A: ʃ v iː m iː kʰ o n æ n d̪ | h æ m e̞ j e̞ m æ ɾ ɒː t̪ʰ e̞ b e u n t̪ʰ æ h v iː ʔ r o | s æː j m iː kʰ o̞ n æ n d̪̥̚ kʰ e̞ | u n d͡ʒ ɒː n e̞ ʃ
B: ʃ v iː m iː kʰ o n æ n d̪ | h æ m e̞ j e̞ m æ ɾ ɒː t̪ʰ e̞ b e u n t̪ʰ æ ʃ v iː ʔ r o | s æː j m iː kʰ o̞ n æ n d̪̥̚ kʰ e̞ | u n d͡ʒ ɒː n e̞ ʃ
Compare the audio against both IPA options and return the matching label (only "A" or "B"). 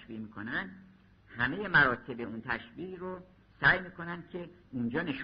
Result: B